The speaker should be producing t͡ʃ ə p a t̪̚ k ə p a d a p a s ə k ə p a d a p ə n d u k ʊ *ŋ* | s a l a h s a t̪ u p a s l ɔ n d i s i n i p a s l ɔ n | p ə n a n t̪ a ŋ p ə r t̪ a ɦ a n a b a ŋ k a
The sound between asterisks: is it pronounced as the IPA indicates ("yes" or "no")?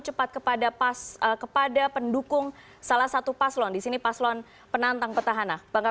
yes